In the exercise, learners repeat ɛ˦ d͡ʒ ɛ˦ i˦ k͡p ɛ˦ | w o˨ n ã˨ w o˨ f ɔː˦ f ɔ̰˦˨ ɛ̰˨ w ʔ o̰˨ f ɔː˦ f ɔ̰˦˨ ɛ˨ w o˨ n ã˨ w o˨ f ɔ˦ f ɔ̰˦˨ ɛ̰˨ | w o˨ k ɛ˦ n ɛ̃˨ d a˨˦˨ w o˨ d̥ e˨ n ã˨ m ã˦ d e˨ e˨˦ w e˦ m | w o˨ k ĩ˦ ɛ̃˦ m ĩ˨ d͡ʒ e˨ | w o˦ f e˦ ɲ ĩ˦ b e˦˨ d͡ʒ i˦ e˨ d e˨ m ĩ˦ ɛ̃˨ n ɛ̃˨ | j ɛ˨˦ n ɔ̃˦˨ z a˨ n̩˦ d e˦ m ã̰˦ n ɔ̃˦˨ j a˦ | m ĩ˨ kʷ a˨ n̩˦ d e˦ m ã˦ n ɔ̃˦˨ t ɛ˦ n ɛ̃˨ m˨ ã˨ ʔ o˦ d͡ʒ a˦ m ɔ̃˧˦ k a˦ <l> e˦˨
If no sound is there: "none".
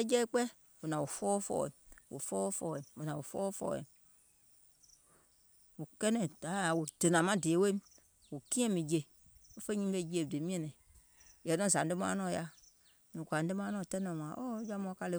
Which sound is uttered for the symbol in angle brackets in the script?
l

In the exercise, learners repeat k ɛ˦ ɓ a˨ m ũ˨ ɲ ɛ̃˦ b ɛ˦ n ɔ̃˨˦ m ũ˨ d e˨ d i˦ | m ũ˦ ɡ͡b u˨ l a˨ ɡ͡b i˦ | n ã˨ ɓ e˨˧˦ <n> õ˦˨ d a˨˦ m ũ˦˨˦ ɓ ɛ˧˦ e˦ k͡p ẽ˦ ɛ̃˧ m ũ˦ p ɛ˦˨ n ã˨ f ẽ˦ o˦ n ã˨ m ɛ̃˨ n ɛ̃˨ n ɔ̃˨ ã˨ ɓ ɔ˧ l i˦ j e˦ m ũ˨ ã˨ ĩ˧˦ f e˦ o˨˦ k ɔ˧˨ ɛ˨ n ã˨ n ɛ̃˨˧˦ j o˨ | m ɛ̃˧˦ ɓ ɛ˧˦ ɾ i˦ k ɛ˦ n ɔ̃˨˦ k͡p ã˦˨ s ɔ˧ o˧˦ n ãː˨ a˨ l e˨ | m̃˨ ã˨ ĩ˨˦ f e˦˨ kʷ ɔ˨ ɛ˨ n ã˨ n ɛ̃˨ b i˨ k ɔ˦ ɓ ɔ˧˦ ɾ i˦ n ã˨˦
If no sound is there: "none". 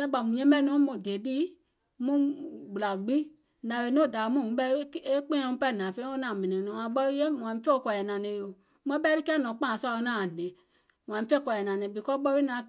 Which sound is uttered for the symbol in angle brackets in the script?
n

